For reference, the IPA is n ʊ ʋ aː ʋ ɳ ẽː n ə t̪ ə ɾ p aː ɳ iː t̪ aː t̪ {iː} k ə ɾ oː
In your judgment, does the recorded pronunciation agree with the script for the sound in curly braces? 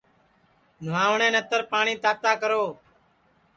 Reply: no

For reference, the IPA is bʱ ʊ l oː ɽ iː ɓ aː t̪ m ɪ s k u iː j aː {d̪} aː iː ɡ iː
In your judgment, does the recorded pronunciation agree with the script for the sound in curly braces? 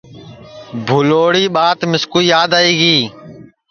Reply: yes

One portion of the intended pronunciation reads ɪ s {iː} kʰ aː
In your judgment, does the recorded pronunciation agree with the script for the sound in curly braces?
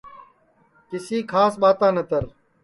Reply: yes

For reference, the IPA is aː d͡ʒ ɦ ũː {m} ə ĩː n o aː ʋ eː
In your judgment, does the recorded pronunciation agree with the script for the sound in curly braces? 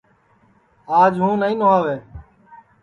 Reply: no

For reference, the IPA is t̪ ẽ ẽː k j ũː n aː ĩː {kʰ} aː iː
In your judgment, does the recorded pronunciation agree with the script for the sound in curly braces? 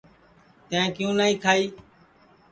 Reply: yes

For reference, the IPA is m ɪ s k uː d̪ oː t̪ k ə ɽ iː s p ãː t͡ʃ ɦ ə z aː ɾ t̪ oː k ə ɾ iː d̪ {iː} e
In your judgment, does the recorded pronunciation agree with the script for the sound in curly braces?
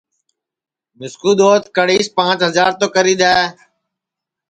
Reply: no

